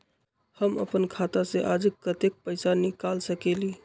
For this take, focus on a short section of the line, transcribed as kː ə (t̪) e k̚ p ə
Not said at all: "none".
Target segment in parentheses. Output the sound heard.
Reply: t̪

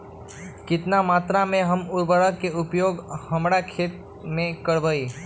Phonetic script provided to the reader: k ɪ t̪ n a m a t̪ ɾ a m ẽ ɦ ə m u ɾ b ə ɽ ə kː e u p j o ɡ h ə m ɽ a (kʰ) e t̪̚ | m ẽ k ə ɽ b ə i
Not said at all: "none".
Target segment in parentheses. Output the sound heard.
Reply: kʰ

